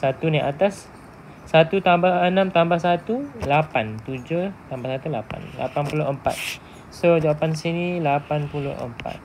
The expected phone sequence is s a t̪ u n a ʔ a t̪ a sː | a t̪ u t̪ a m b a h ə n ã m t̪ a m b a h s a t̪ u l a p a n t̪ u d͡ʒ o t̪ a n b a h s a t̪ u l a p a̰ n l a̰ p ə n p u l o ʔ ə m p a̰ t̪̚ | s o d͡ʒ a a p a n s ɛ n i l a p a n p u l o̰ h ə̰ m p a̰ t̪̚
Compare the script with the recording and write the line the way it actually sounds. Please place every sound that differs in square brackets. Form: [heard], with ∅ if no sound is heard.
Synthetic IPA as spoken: s a t̪ u n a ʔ a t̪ a sː | a t̪ u t̪ a m b a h ə n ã m t̪ a m b a h s a t̪ u l a p a n t̪ u d͡ʒ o t̪ a [m] b a h s a t̪ u l a p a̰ n l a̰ p [a] n p u l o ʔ ə m p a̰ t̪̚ | s o d͡ʒ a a p a n s [i] n i l a p a n p u l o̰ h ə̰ m p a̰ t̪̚